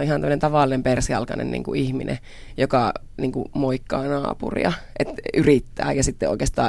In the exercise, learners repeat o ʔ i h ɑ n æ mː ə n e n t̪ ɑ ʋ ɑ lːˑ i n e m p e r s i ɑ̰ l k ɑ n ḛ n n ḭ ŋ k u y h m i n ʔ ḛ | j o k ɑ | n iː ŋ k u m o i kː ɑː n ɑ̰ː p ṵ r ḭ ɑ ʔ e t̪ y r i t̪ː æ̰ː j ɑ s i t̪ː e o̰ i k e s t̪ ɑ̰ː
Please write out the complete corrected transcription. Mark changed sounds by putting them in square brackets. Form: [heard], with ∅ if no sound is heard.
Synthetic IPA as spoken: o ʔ i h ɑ n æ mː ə n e n t̪ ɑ ʋ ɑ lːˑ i n e m p e r s i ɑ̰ l k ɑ n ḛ n n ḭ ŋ k u [i] h m i n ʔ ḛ | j o k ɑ | n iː ŋ k u m o i kː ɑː n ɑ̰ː p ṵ r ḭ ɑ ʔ e t̪ y r i t̪ː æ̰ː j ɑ s i t̪ː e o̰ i k e s t̪ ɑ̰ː